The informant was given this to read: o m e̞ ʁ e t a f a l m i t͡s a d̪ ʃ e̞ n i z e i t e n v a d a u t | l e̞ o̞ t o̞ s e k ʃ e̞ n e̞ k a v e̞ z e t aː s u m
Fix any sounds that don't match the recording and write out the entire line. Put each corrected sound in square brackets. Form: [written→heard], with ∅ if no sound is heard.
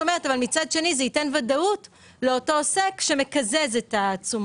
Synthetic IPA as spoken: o m e̞ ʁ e t a [f→v] a l m i t͡s a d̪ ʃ e̞ n i z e i t e n v a d a u t | l e̞ o̞ t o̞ s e k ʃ e̞ [n→m] e̞ k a [v→z] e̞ z e t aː [s→t͡s] u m